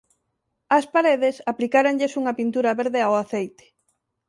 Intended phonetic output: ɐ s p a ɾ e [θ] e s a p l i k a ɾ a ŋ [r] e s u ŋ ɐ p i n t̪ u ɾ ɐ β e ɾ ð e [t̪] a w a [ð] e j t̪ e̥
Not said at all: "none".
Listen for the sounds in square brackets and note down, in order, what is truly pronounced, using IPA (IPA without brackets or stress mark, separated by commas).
ð, ʎ, none, θ